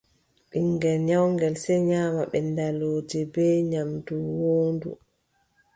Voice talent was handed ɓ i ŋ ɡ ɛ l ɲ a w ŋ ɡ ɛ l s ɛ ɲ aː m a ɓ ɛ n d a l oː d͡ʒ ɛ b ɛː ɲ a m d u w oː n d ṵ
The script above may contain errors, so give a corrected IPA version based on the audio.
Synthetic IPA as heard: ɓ i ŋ ɡ ɛ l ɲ a w ŋ ɡ ɛ l s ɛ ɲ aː m a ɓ ɛ n d a l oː d͡ʒ ɛ b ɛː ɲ a m d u w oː n d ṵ